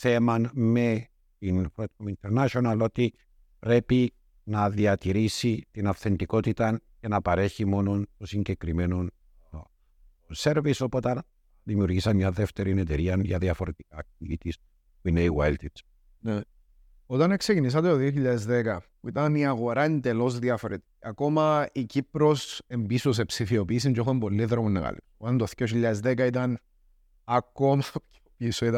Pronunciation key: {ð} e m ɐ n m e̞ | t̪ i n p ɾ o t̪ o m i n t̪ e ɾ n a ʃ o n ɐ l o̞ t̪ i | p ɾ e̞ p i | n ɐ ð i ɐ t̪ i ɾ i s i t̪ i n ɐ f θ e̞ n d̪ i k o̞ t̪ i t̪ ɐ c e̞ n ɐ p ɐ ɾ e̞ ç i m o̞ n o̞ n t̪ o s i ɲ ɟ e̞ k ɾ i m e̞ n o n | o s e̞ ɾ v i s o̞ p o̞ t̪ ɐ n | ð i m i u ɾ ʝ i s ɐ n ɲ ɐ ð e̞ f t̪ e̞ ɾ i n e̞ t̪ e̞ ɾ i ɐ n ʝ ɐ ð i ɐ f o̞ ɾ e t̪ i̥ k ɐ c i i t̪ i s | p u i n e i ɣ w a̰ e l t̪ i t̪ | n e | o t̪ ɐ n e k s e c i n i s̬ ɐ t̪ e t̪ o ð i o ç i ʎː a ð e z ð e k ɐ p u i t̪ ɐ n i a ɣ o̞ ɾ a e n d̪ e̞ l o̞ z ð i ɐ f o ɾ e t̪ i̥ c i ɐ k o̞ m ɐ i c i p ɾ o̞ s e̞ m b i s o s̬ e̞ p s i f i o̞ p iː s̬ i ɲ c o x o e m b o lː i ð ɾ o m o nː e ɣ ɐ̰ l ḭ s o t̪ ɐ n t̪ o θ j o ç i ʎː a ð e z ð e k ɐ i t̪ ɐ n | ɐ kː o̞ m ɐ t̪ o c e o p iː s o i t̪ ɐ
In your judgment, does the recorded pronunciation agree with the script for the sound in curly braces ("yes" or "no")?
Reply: no